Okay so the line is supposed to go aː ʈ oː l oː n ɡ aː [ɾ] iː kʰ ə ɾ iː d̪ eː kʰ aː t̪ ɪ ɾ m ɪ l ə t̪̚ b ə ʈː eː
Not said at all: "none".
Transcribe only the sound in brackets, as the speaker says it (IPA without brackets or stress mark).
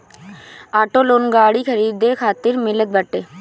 ɽ